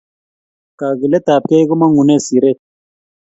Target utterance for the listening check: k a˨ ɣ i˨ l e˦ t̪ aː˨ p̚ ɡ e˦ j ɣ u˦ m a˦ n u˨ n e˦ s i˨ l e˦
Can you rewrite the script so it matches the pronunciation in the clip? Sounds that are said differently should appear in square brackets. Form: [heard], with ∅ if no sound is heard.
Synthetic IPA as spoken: k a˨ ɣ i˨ l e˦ t̪ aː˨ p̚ [k] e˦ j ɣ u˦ m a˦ [ŋ] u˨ n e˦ s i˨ [ɾ] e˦